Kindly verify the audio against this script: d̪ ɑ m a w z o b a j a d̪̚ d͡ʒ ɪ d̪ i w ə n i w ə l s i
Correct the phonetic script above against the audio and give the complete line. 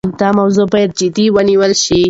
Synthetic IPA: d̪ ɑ m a w z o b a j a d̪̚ d͡ʒ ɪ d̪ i w ə n i w ə l ʃ i